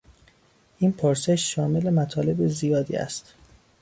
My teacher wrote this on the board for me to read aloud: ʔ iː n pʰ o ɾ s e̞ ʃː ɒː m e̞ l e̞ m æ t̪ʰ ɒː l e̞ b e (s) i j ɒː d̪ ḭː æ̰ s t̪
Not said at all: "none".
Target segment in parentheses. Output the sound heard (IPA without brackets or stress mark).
z